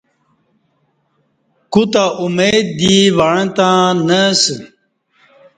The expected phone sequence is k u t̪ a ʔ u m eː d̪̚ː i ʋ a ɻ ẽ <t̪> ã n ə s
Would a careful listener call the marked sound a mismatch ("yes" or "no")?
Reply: no